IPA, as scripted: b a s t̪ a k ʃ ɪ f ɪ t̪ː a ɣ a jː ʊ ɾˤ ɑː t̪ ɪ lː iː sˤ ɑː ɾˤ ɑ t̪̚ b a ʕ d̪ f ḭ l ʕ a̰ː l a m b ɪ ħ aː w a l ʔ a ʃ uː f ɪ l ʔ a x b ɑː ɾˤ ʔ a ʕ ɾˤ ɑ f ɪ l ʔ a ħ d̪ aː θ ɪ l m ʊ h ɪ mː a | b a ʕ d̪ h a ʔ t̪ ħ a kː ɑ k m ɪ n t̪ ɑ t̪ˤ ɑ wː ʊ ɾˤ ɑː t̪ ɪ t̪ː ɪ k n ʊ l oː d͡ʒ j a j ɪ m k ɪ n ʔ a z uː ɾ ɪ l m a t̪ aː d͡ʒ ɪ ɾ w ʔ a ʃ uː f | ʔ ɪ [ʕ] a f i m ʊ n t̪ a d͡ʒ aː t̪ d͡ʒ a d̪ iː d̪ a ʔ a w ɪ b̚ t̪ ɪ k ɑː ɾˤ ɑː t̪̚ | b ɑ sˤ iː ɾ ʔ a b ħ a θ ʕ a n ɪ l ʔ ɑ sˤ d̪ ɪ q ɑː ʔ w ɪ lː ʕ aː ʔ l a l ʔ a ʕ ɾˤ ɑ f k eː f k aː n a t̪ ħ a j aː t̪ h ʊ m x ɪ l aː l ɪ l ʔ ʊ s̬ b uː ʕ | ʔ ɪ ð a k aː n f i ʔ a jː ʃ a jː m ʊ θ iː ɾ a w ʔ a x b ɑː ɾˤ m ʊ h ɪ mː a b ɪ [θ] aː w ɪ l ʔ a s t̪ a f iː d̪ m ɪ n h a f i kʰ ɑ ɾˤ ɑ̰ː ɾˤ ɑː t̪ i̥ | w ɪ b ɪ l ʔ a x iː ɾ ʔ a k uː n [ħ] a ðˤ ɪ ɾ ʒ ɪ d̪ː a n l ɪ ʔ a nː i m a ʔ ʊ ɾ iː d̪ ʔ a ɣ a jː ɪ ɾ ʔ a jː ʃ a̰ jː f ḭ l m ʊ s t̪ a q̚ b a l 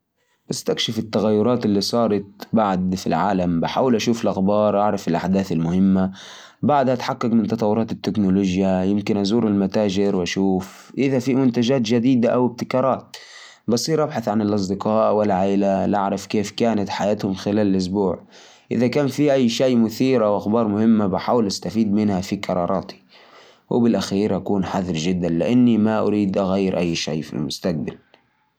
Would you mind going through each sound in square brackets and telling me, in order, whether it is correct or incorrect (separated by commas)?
incorrect, incorrect, correct